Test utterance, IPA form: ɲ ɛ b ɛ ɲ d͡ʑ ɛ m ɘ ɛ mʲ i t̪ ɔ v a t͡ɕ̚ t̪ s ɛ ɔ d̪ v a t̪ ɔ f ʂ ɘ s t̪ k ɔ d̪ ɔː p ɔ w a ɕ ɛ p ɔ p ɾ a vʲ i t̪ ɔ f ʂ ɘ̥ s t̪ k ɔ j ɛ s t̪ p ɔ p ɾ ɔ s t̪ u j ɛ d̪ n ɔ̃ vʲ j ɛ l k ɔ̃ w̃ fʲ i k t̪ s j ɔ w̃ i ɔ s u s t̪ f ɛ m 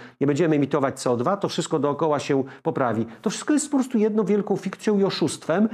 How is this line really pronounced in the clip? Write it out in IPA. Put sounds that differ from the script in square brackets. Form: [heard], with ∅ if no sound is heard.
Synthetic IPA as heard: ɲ ɛ b ɛ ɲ d͡ʑ ɛ m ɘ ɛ mʲ i t̪ ɔ v a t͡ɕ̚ t̪ s ɛ ɔ d̪ v a t̪ ɔ f ʂ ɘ s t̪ k ɔ d̪ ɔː [k] ɔ w a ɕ ɛ p ɔ p ɾ a vʲ i t̪ ɔ f ʂ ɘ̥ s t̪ k ɔ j ɛ s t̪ p ɔ p ɾ ɔ s t̪ u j ɛ d̪ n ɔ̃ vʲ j ɛ l k ɔ̃ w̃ fʲ i k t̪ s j [ɔ̃] w̃ i ɔ [ʂ] u s t̪ f ɛ m